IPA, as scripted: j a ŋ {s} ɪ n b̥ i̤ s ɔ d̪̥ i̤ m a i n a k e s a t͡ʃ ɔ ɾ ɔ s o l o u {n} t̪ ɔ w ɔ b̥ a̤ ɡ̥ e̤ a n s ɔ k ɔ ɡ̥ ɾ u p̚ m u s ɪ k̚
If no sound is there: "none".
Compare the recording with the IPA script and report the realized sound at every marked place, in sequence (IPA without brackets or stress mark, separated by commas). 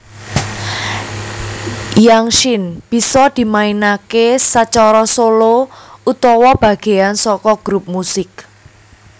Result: ʃ, none